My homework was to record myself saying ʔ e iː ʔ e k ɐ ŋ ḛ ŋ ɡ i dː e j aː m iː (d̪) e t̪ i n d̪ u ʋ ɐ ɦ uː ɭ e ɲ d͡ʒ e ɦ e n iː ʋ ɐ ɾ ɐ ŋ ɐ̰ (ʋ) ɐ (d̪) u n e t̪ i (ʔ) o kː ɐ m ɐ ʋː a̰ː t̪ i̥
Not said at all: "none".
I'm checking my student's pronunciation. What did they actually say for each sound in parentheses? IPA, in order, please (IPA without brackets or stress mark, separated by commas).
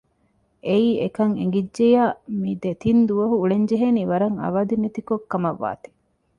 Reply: d̪, ʋ, d̪, k